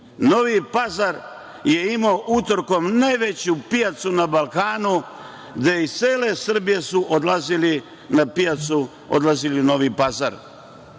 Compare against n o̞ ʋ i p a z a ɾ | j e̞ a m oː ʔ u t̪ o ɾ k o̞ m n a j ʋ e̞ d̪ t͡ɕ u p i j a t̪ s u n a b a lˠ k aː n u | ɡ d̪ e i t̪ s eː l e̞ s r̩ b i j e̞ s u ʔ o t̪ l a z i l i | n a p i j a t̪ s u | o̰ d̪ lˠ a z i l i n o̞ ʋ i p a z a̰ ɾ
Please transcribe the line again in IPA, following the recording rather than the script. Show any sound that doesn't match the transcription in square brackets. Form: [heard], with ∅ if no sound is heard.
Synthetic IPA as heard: n o̞ ʋ i p a z a ɾ | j e̞ [i] m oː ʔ u t̪ o ɾ k o̞ m n a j ʋ e̞ [∅] t͡ɕ u p i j a t̪ s u n a b a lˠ k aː n u | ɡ d̪ e i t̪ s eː l e̞ s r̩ b i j e̞ s u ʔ o [d̪] l a z i l i | n a p i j a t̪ s u | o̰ d̪ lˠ a z i l i n o̞ ʋ i p a z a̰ ɾ